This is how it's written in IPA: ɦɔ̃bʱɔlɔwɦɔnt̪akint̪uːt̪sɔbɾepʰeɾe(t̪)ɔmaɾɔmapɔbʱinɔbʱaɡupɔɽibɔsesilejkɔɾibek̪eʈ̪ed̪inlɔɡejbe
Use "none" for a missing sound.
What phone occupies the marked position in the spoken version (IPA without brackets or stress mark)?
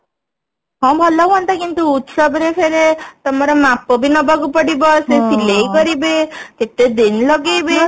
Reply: t̪